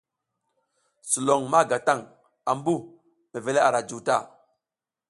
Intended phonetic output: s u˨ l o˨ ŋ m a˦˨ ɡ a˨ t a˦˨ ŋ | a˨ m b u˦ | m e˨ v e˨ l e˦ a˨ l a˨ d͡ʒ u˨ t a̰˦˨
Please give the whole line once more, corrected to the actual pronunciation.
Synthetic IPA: s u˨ l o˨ ŋ m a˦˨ ɡ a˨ t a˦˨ ŋ | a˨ m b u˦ | m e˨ v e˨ l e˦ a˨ ɾ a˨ d͡ʒ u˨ t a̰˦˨